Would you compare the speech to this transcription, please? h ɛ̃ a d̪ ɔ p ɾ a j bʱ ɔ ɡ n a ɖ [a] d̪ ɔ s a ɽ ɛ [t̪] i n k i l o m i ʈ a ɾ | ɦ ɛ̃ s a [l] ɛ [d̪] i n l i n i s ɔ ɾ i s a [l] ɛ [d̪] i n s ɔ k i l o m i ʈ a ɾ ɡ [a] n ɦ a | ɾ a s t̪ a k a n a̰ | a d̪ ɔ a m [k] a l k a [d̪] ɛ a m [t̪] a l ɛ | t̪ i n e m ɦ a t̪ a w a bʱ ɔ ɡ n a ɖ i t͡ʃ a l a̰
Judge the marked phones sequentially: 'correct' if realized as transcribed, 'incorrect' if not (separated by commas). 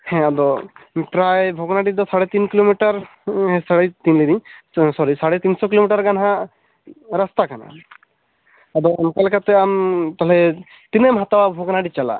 incorrect, correct, incorrect, incorrect, incorrect, incorrect, correct, correct, incorrect, correct